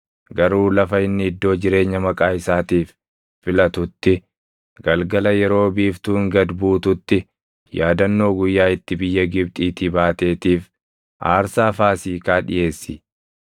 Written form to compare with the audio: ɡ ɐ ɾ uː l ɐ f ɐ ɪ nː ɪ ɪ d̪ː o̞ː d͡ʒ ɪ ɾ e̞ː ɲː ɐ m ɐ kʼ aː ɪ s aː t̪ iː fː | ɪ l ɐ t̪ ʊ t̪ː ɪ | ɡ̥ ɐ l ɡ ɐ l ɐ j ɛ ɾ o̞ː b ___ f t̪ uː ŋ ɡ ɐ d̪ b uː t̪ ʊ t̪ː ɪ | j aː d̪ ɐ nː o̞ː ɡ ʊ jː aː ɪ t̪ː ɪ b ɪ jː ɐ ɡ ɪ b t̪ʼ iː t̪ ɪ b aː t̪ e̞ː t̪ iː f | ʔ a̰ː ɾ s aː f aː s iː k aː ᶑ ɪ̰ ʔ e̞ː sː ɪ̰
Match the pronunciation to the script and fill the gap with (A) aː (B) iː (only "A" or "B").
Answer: B